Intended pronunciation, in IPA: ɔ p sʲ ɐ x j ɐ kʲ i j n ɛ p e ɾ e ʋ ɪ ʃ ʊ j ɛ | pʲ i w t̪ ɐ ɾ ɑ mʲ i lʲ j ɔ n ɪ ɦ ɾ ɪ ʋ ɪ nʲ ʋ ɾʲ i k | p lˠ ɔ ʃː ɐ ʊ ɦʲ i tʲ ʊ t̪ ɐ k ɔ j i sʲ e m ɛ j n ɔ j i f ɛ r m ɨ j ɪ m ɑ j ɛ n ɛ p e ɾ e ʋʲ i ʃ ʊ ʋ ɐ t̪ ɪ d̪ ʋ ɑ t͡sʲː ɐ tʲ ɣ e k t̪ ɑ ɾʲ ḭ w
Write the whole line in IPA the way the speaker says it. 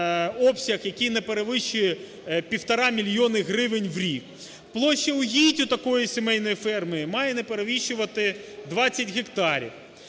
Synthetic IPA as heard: ɔ p sʲ ɐ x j ɐ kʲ i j n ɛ p e ɾ e ʋ ɪ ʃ ʊ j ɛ | pʲ i w t̪ ɐ ɾ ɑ mʲ i lʲ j ɔ n ɪ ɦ ɾ ɪ ʋ ɪ nʲ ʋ ɾʲ i k | p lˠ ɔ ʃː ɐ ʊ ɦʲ i tʲ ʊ t̪ ɐ k ɔ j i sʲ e m ɛ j n ɔ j i f ɛ r m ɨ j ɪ m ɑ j ɛ n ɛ p e ɾ e ʋʲ i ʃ ʊ ʋ ɐ t̪ ɪ d̪ ʋ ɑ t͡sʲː ɐ tʲ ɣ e k t̪ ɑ ɾʲ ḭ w